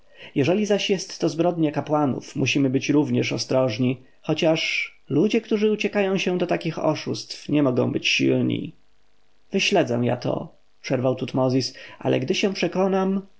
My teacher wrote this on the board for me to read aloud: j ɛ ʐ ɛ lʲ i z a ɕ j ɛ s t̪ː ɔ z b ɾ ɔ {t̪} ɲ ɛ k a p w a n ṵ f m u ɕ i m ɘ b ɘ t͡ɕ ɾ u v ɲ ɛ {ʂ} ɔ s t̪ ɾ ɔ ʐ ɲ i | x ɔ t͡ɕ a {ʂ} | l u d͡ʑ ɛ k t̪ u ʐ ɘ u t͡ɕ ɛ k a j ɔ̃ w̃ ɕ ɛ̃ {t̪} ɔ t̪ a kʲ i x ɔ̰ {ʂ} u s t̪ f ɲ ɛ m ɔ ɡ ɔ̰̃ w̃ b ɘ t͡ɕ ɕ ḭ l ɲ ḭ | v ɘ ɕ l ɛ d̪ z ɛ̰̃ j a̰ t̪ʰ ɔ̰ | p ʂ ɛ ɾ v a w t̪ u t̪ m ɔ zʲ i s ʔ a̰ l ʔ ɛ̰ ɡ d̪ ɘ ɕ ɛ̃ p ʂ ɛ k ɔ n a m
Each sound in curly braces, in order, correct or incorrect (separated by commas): incorrect, correct, correct, incorrect, correct